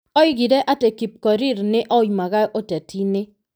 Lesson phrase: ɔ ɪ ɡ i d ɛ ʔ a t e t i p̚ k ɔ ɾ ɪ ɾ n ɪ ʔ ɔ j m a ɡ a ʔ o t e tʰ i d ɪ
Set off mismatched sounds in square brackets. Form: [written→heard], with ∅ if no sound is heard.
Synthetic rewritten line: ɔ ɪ ɡ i d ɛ ʔ a t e [t→k] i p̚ k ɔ ɾ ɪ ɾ n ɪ ʔ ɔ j m a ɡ a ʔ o t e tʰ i [d→n] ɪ

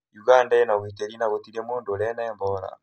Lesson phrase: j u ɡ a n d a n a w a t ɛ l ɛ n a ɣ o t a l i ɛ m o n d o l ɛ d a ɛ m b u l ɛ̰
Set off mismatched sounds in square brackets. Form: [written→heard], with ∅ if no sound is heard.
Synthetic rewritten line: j u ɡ a n d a n a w [a→i] t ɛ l [ɛ→i] n a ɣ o t [a→i] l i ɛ m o n d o l ɛ [d→n] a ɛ m b [u→ɔ] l [ɛ̰→a̰]

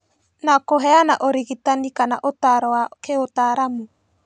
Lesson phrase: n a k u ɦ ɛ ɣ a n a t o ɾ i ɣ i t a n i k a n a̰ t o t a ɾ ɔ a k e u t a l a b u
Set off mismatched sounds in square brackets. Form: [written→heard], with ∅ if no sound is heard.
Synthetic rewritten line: n a k [u→o] ɦ ɛ [ɣ→∅] a n a [t→ʔ] o ɾ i ɣ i t a n i k a n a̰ [t→ʔ] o t a ɾ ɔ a k e [u→o] t a [l→ɾ] a [b→m] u

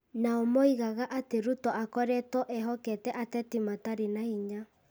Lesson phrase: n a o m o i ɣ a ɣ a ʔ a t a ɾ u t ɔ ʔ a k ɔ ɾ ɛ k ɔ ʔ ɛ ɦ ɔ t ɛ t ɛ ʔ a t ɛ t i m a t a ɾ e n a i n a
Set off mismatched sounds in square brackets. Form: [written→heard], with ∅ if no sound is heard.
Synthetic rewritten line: n a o m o i ɣ a ɣ a ʔ a t [a→e] ɾ u t ɔ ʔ a k ɔ ɾ ɛ [k→t] ɔ ʔ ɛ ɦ ɔ [t→k] ɛ t ɛ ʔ a t ɛ t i m a t a ɾ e n a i [n→ɲ] a

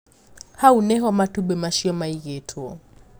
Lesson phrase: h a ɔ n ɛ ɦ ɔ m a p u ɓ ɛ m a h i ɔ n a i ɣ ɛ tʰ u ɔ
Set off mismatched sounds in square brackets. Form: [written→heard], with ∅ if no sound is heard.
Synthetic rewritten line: h a [ɔ→u] n ɛ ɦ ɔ m a [p→t] u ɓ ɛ m a [h→ʃ] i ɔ [n→m] a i ɣ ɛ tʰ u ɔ

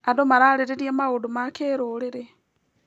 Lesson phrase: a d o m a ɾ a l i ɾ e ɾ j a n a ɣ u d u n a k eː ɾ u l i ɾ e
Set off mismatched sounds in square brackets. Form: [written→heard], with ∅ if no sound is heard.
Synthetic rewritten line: a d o m a ɾ a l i ɾ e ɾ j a [n→m] a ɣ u d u [n→m] a k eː ɾ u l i ɾ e

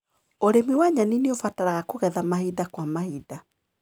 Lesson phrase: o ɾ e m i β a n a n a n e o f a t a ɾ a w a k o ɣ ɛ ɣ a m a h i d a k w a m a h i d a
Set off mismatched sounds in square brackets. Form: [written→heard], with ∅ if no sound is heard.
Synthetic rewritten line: o ɾ e m i [β→w] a [n→ɲ] a n [a→i] n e o f a t a ɾ a [w→ɣ] a k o ɣ ɛ [ɣ→ð] a m a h i d a k w a m a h i d a

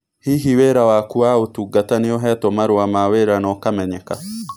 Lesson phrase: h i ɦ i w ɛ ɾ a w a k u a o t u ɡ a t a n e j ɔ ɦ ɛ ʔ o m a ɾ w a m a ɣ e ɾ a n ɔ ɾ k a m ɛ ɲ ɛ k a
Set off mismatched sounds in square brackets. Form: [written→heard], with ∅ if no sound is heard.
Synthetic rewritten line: h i ɦ i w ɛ ɾ a w a k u a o t u ɡ a t a n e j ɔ ɦ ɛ [ʔ→t] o m a ɾ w a m a [ɣ→w] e ɾ a n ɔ [ɾ→∅] k a m ɛ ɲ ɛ k a

